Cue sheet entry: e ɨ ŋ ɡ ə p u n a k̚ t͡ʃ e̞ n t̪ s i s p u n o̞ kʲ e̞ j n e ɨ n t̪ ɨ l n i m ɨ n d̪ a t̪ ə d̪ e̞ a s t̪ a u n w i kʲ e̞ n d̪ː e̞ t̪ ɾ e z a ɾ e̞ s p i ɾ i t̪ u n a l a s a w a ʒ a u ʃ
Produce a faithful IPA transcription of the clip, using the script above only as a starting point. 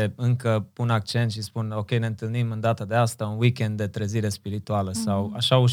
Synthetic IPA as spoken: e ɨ ŋ k ə p u n a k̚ t͡ʃ e̞ n t̪ ʃ i s p u n o̞ kʲ e̞ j n e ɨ n t̪ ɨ l n i m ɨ n d̪ a t̪ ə d̪ e̞ a s t̪ a u n w i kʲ e̞ n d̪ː e̞ t̪ ɾ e z i ɾ e̞ s p i ɾ i t̪ u a l ə s a w a ʃ a u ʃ